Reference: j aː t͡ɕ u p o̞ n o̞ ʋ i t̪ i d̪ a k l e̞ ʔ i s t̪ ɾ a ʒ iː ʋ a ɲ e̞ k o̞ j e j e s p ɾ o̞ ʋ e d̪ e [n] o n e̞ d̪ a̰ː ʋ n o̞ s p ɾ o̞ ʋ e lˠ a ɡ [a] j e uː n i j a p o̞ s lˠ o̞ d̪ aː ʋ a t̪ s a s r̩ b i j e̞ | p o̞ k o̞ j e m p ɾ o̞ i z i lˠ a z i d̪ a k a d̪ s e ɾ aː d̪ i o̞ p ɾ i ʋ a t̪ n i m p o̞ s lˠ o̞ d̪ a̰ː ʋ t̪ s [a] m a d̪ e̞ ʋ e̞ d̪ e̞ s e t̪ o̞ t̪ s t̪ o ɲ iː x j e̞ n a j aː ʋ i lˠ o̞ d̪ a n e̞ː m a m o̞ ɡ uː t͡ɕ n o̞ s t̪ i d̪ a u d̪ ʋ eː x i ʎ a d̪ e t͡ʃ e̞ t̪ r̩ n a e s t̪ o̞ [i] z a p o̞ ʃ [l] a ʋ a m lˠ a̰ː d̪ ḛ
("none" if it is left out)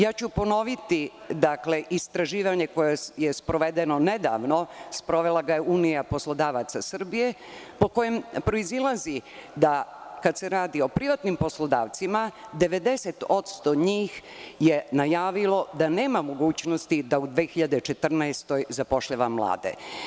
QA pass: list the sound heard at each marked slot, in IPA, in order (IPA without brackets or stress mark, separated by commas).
n, a, i, j, ʎ